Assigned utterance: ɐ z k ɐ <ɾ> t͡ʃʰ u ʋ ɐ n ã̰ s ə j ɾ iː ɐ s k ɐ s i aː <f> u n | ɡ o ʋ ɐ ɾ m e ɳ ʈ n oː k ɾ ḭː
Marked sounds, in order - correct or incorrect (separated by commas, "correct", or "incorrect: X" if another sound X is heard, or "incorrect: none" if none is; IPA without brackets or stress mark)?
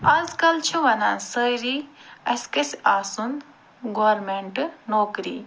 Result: incorrect: l, incorrect: s